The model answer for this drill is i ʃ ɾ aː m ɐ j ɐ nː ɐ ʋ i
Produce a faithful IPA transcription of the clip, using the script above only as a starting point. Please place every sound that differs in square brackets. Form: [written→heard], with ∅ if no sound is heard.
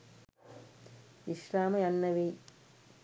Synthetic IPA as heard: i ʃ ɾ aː m ɐ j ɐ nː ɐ ʋ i